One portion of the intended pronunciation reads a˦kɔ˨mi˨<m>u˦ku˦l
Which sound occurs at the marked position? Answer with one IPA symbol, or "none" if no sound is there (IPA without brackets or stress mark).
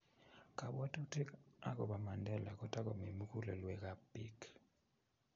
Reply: m